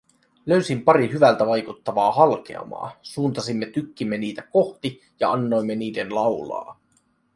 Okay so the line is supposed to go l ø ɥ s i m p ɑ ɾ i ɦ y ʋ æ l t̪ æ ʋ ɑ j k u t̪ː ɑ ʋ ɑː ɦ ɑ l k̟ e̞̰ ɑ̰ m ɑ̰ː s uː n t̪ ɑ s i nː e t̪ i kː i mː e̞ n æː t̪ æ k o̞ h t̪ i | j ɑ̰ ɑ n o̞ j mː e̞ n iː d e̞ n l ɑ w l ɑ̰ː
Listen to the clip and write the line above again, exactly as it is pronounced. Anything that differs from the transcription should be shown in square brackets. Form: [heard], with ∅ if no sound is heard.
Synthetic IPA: l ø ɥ s i m p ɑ ɾ i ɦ y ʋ æ l t̪ æ ʋ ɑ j k u t̪ː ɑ ʋ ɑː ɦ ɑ l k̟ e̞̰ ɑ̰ m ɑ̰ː s uː n t̪ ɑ s i [mː] e t̪ [y] kː i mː e̞ n [iː] t̪ æ k o̞ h t̪ i | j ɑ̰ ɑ [nː] o̞ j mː e̞ n iː d e̞ n l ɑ w l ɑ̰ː